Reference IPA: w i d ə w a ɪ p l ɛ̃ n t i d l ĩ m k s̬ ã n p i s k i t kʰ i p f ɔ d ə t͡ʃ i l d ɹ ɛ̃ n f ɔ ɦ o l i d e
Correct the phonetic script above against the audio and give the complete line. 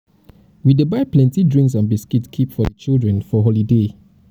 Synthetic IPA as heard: w i d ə b a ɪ p l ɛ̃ n t i d ɹ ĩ ŋ k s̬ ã n b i s k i t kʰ i p f ɔ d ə t͡ʃ i l d ɹ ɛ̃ n f ɔ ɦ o l i d e